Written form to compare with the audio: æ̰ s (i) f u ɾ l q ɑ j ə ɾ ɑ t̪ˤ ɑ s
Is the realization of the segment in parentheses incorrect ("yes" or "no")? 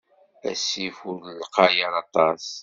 no